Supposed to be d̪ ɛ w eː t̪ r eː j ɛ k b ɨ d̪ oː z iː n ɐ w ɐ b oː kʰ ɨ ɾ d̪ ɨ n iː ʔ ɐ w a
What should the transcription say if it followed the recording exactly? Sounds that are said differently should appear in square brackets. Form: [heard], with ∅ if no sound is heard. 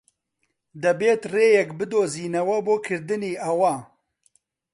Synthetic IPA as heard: d̪ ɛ [b] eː t̪ r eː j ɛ k b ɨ d̪ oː z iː n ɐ w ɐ b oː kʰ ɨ ɾ d̪ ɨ n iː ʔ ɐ w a